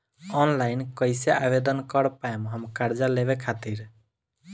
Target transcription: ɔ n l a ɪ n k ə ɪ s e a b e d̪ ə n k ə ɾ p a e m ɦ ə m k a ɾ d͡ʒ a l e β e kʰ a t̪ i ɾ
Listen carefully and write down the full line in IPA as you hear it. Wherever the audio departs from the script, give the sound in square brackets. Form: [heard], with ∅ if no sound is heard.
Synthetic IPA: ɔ n l a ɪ n k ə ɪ s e a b e d̪ ə n k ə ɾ p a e m ɦ ə m k a ɾ d͡ʒ a l e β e kʰ a t̪ i ɾ